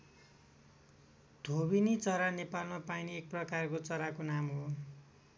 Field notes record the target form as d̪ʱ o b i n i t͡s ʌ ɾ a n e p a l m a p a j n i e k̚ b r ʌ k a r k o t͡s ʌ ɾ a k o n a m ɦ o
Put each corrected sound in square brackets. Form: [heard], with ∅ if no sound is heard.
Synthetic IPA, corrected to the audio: d̪ʱ o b i n i t͡s ʌ ɾ a n e p a l m a p a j n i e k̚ [p] r ʌ k a r k o t͡s ʌ ɾ a k o n a m ɦ o